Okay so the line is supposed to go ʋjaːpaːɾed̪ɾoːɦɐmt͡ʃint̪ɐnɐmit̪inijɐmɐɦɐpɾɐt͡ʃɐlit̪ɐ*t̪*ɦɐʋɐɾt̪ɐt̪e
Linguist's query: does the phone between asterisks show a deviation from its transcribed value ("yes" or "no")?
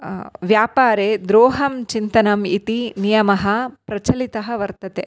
yes